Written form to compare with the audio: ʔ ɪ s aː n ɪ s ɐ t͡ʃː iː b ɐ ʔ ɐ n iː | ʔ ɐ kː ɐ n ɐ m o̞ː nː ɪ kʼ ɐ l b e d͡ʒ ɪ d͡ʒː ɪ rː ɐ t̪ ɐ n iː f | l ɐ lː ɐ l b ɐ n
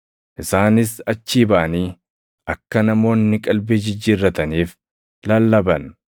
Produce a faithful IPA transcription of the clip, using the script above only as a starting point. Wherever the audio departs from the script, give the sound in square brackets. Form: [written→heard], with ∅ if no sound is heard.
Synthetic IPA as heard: ʔ ɪ s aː n ɪ s ɐ t͡ʃː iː b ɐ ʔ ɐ n iː | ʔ ɐ kː ɐ n ɐ m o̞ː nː ɪ kʼ ɐ l b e d͡ʒ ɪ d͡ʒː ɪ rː ɐ t̪ ɐ n iː f | l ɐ lː ɐ [l→∅] b ɐ n